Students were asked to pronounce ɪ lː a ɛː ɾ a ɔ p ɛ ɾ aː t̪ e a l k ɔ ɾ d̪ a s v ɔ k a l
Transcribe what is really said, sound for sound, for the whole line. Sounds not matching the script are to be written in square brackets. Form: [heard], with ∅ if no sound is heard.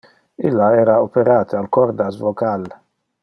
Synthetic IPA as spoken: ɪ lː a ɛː ɾ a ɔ p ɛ ɾ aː t̪ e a l k ɔ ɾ d̪ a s v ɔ k a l